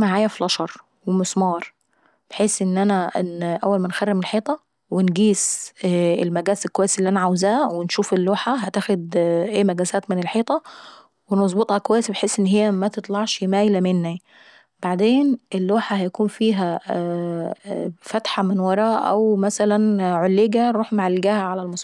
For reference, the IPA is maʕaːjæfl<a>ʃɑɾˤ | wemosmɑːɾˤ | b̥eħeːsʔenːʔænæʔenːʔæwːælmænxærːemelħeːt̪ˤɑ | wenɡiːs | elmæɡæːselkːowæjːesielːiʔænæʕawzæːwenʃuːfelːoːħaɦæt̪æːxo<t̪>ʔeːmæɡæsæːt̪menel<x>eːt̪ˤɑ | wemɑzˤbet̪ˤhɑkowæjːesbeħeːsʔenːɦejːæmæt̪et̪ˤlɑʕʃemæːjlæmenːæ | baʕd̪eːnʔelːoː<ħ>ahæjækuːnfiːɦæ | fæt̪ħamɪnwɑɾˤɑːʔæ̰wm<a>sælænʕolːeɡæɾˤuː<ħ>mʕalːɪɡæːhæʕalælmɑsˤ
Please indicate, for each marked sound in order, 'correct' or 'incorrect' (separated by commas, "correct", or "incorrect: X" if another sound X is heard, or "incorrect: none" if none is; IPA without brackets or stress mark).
incorrect: ɑ, incorrect: d̪, incorrect: ħ, correct, incorrect: æ, correct